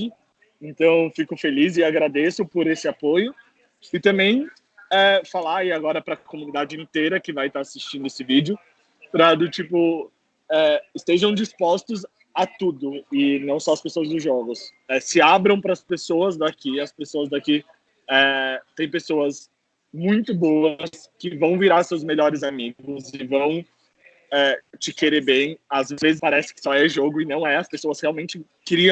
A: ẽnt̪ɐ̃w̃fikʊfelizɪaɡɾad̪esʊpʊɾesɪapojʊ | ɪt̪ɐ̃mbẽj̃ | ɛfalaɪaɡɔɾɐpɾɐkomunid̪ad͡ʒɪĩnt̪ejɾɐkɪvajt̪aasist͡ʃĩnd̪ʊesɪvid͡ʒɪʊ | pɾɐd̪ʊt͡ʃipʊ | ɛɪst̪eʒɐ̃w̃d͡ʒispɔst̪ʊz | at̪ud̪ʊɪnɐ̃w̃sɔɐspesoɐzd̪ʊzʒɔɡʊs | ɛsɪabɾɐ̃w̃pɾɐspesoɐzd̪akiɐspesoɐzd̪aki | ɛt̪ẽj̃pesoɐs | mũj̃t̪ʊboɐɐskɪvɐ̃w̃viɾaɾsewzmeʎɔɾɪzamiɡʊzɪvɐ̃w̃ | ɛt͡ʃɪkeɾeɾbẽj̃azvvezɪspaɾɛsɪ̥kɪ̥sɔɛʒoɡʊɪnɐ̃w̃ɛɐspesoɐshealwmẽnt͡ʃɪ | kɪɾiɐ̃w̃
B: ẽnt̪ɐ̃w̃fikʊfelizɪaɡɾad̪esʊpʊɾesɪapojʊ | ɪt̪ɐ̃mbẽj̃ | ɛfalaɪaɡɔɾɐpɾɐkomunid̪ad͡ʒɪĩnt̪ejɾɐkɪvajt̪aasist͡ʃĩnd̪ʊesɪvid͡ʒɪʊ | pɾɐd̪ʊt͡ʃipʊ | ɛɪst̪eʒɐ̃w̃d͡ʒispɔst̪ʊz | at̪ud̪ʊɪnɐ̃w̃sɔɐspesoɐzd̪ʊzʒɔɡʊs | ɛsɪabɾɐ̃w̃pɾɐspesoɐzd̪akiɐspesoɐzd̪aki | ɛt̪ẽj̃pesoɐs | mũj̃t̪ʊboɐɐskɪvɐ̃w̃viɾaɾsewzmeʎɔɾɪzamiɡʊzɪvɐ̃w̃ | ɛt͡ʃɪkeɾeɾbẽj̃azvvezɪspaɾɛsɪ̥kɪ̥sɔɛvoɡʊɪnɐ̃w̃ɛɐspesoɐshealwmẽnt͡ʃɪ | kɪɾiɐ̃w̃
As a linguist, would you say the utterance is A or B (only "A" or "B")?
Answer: A